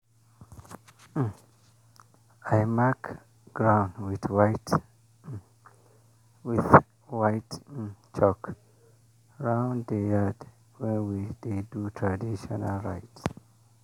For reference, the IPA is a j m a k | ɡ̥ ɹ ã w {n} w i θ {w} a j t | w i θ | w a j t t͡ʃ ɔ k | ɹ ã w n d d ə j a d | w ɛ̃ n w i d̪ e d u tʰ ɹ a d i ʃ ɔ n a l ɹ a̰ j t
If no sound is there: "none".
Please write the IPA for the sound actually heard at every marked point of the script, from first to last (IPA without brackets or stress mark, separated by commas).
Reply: n, w